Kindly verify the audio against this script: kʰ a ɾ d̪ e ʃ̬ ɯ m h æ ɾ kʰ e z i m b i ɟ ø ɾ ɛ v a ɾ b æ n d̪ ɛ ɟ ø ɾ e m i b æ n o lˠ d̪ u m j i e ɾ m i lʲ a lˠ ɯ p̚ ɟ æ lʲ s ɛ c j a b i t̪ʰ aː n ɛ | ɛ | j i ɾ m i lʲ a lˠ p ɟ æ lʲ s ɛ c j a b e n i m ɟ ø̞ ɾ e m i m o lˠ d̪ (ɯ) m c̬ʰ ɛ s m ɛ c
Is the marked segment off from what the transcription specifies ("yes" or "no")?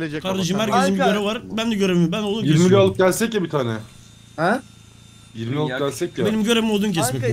yes